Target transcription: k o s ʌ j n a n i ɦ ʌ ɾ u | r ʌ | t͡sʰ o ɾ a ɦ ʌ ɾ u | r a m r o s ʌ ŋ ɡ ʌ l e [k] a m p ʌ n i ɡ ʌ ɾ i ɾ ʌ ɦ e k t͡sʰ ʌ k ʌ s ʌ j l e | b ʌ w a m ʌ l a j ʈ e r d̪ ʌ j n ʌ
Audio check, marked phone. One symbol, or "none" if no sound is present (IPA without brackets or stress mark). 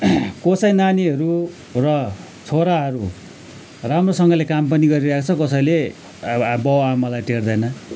k